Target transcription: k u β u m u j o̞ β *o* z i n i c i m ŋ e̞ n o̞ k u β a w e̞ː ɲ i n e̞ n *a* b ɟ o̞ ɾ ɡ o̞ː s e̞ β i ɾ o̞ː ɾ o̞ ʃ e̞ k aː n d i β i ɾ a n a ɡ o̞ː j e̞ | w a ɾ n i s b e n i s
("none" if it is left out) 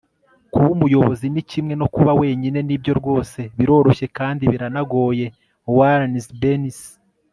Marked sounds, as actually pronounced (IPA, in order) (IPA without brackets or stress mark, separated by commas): o, i